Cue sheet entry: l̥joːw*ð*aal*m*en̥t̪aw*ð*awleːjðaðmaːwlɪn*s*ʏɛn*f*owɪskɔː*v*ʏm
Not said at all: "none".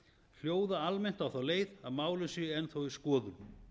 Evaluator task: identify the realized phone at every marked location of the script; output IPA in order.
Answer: ð, m, θ, s, θ, ð

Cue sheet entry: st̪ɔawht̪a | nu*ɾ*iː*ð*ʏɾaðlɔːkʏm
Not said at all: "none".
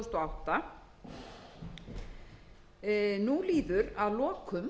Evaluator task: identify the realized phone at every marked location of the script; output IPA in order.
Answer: l, ð

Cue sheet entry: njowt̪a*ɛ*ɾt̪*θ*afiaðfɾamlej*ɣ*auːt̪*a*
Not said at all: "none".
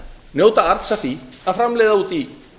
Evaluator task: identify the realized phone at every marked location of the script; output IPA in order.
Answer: a, s, ð, i

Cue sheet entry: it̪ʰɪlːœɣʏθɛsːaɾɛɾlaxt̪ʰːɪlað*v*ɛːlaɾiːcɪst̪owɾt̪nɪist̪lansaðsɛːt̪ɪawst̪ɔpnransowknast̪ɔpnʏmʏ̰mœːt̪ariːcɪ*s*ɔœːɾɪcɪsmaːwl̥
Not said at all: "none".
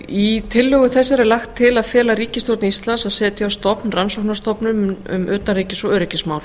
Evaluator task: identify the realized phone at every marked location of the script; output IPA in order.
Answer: f, s

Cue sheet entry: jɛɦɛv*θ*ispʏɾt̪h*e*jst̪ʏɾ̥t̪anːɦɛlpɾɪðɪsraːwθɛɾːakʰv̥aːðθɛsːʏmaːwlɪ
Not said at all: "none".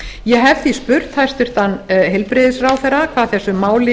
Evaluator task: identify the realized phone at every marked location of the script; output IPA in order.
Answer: θ, a

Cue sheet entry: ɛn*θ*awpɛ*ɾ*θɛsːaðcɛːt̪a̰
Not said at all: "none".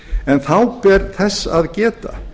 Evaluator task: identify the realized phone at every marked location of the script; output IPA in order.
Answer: θ, ɾ

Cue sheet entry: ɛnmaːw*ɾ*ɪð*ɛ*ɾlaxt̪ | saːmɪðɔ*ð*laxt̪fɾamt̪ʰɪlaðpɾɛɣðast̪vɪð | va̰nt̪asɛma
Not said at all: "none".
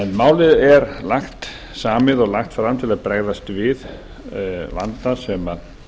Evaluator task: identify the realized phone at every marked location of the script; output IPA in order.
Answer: l, ɛ, ɣ

